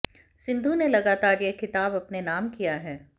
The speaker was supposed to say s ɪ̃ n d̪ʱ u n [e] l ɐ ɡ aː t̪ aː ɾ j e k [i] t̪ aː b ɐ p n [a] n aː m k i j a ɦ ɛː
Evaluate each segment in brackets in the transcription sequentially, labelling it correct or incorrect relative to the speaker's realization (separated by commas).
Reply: correct, incorrect, incorrect